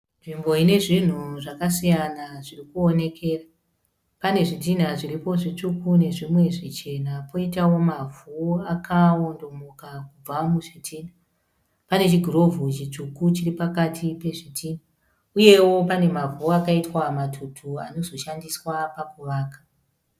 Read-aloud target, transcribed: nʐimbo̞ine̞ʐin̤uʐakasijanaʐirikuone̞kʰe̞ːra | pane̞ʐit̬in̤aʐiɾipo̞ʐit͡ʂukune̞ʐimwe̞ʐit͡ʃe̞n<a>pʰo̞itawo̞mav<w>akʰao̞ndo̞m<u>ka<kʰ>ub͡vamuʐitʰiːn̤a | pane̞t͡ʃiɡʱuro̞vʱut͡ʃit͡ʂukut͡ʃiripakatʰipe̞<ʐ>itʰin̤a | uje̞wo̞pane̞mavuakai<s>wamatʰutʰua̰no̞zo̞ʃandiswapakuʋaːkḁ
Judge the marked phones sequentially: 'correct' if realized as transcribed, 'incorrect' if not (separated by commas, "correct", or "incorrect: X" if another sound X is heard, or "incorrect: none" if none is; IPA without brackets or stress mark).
correct, incorrect: u, incorrect: o, incorrect: k, correct, incorrect: t